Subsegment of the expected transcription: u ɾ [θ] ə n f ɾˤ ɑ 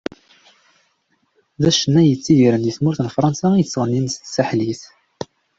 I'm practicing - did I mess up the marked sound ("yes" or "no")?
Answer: no